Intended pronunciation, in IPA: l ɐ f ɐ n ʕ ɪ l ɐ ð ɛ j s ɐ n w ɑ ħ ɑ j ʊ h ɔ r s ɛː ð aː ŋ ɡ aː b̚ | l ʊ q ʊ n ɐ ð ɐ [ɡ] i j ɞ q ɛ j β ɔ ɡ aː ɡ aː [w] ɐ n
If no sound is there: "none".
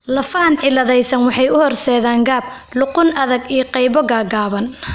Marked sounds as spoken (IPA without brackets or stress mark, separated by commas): ɡ, β